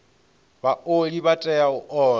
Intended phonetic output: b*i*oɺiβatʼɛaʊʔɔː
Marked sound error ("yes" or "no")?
yes